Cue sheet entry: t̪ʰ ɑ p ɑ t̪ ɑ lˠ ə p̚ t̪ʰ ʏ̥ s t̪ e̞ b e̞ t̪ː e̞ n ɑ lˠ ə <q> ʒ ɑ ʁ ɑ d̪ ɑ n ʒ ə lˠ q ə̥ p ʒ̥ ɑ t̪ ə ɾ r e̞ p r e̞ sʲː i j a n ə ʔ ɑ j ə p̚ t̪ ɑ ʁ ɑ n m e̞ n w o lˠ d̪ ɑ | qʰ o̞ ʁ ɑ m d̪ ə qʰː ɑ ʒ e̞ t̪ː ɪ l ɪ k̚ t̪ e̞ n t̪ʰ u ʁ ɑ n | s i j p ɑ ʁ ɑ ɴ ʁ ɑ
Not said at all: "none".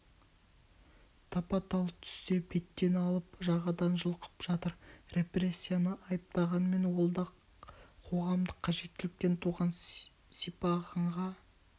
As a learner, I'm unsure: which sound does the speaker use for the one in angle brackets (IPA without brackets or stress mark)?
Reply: p